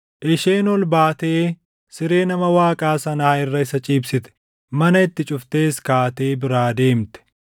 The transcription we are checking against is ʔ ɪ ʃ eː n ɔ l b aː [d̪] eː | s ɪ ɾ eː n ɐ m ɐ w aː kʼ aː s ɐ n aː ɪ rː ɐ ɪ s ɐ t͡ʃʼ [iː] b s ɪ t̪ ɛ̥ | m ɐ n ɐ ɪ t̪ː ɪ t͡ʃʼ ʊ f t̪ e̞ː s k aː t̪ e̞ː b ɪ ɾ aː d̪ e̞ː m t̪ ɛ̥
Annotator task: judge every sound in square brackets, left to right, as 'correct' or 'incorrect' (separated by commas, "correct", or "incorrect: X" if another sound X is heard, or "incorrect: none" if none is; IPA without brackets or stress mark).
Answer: incorrect: t̪, correct